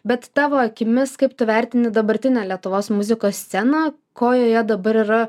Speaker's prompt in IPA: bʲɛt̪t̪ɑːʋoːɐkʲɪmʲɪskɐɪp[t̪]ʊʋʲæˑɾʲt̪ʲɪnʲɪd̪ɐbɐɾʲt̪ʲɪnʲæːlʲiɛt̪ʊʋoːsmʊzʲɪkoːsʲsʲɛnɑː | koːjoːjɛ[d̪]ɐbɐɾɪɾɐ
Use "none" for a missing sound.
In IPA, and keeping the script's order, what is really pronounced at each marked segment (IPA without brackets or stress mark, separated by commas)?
t̪, d̪